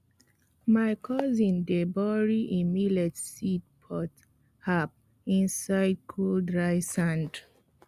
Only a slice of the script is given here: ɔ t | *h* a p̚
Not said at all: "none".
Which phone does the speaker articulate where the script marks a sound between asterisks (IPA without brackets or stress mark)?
h